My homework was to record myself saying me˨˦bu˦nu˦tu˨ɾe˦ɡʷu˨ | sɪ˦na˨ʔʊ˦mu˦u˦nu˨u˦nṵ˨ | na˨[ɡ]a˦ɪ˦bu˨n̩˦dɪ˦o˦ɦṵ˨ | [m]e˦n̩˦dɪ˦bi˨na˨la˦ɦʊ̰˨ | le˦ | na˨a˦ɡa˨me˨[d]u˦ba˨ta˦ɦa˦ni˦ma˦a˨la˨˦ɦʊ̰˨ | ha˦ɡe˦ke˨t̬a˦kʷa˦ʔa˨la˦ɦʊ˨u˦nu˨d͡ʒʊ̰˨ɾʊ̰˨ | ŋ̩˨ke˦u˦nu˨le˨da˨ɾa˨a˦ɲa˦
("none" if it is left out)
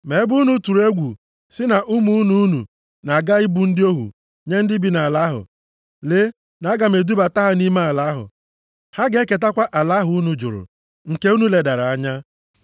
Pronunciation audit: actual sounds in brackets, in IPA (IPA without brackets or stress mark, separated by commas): ɡ, ɲ, d